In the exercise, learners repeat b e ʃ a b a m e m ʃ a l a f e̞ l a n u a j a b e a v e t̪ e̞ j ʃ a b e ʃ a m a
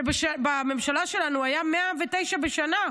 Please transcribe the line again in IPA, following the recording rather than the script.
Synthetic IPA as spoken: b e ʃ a b a m e m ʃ a l a ʃ e̞ l a n u a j a m e a v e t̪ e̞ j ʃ a b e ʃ a n a